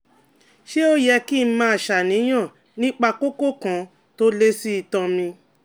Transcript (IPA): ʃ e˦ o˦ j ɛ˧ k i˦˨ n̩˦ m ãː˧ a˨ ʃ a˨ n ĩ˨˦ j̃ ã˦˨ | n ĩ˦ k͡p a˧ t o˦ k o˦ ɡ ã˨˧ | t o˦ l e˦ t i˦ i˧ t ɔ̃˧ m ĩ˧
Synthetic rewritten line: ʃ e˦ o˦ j ɛ˧ k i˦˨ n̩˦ m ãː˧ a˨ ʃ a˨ n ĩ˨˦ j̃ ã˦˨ | n ĩ˦ k͡p a˧ k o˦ k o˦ k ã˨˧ | t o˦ l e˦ s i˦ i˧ t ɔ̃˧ m ĩ˧